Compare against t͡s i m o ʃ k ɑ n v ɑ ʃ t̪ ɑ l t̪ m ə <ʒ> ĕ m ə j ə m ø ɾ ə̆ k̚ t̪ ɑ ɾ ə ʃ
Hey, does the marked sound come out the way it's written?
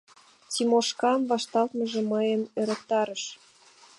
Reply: yes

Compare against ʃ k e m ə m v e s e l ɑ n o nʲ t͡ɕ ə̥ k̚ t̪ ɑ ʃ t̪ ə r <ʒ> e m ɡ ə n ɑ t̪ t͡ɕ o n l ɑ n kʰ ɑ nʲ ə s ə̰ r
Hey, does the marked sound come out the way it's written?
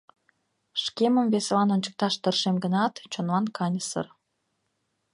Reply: no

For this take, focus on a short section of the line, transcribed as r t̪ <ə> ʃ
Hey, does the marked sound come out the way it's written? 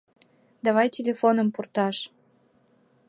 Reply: no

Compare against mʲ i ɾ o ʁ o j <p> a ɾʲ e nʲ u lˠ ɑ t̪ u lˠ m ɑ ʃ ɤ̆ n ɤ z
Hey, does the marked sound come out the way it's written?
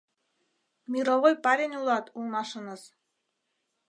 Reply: yes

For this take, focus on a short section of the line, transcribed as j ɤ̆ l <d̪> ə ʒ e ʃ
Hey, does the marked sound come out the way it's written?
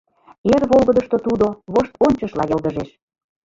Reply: yes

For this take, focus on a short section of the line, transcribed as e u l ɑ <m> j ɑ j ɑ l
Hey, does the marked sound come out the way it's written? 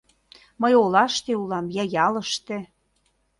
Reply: yes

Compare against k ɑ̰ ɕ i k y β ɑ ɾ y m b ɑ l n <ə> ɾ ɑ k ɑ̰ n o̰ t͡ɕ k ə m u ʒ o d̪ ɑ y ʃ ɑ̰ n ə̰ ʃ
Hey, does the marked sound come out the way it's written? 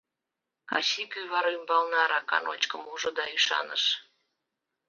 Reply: no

